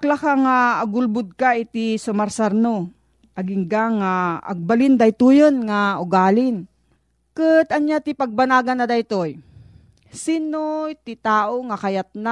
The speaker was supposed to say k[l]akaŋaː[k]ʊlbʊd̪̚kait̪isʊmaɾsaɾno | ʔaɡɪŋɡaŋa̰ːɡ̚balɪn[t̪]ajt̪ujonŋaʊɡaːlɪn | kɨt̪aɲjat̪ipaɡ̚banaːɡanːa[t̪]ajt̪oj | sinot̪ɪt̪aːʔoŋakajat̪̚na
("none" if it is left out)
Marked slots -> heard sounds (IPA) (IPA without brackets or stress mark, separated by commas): l, ɡ, d̪, d̪